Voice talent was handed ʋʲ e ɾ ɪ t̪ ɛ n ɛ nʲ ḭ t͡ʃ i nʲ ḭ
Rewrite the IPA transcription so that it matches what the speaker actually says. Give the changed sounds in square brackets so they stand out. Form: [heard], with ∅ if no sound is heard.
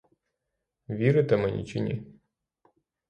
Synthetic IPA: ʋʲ [i] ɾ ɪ t̪ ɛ [m] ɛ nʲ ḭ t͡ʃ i nʲ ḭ